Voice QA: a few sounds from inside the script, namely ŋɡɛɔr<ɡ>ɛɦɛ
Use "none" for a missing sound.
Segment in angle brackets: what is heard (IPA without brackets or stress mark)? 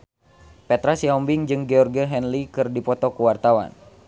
ɡ